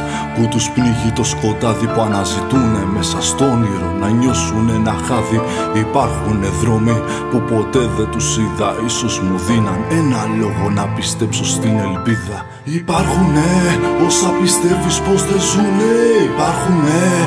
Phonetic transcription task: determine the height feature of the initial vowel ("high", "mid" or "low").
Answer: high